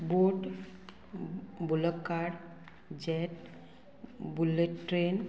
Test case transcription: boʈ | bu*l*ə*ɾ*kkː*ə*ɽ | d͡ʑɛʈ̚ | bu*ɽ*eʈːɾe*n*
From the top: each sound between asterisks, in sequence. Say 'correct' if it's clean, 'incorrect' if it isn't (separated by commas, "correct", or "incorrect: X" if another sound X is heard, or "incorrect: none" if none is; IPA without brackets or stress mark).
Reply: correct, incorrect: none, incorrect: a, incorrect: l, correct